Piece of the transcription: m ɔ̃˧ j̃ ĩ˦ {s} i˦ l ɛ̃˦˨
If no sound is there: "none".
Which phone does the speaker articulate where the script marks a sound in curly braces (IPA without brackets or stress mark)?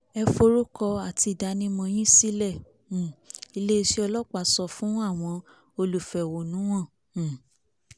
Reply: s